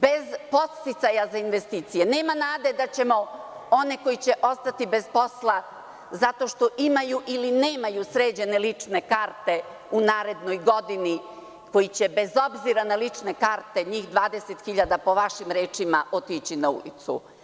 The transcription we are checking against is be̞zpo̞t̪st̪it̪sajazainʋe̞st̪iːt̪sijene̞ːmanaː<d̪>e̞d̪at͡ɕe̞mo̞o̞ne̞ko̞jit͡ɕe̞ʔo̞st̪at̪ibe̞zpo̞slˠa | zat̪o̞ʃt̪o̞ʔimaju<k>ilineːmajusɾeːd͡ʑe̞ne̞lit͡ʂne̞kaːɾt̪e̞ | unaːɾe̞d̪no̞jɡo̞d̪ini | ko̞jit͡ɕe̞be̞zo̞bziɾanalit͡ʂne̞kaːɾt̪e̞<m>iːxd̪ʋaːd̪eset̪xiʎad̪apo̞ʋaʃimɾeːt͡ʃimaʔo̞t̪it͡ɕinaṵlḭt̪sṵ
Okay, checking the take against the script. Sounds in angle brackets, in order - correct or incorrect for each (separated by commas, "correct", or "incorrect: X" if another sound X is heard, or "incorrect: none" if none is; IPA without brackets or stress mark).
correct, incorrect: ʔ, incorrect: ɲ